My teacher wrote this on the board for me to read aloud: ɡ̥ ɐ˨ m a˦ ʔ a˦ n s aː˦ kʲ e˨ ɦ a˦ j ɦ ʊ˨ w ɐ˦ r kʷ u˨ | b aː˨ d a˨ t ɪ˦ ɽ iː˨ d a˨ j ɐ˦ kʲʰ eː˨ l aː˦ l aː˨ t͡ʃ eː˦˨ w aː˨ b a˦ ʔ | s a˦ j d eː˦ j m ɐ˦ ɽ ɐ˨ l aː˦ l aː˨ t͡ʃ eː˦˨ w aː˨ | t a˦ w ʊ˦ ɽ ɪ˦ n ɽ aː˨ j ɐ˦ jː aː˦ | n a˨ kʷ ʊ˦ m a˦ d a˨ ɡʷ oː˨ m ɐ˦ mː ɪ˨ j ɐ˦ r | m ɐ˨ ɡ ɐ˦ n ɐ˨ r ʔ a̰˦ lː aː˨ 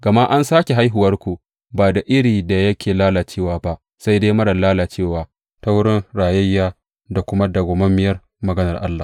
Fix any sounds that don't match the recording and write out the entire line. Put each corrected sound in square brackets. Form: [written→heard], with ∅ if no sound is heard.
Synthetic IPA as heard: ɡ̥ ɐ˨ m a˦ ʔ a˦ n s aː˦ kʲ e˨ ɦ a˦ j ɦ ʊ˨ w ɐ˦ r kʷ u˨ | b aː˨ d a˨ [t→ʔ] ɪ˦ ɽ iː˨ d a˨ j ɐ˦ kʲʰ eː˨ l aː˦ l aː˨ t͡ʃ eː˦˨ w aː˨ b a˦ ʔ | s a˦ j d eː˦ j m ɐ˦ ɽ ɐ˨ l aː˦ l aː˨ t͡ʃ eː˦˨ w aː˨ | t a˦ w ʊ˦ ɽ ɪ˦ n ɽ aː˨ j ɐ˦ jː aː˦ | [n→d] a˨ kʷ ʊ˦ m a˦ d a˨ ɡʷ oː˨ m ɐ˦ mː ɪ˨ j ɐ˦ r | m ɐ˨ ɡ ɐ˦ n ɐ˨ r ʔ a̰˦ lː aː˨